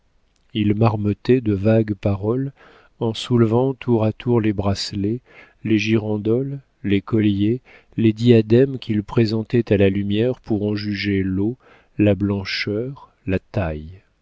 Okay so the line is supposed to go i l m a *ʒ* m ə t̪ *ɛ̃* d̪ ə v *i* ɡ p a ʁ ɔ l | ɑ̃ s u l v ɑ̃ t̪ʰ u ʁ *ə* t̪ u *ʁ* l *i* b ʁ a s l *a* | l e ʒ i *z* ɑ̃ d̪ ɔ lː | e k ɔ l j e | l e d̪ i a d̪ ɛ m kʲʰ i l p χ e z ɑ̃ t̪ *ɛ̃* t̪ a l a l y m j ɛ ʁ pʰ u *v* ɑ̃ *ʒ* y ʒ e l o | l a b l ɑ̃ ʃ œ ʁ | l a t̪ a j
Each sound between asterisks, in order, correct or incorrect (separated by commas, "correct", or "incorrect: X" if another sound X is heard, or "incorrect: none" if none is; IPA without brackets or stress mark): incorrect: ʁ, incorrect: ɛ, incorrect: a, incorrect: a, correct, incorrect: e, incorrect: e, incorrect: ʁ, incorrect: ɛ, incorrect: ʁ, correct